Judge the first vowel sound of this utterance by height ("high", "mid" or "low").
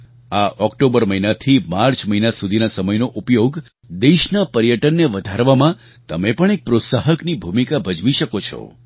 low